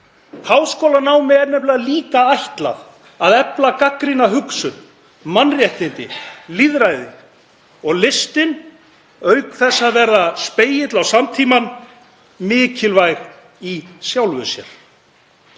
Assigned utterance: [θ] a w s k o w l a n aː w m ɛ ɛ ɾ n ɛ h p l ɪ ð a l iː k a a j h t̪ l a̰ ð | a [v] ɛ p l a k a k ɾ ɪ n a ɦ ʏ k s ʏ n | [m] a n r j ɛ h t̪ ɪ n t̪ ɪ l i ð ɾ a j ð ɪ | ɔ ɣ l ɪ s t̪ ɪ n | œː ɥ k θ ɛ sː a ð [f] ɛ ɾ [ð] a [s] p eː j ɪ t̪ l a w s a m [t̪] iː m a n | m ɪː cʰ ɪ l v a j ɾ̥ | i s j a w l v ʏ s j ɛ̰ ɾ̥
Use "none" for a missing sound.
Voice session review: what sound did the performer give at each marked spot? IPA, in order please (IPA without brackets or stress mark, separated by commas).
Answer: h, ð, m, v, ð, s, t̪ʰ